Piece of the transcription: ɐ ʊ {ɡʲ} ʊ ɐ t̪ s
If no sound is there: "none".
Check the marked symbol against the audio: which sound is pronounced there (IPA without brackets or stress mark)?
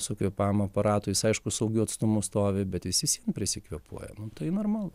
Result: ɡʲ